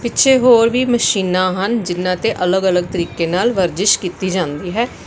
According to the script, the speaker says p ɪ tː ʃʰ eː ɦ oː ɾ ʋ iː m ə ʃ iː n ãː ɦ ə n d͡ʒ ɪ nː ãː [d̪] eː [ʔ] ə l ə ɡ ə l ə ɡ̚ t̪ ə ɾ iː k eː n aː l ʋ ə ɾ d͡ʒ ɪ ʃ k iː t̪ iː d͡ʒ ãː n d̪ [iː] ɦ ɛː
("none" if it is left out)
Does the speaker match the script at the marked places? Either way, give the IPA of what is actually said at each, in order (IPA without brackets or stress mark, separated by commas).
t̪, ʔ, iː